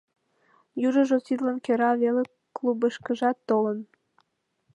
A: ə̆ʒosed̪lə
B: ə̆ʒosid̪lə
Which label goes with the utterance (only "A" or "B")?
B